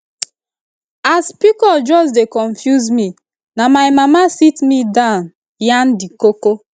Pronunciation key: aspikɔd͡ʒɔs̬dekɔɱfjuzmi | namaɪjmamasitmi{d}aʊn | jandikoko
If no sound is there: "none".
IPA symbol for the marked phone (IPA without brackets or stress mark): d